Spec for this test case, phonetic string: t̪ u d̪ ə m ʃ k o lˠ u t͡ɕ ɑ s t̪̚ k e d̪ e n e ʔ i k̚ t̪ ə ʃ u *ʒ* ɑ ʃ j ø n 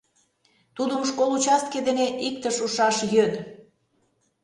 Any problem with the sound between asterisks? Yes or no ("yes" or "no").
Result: yes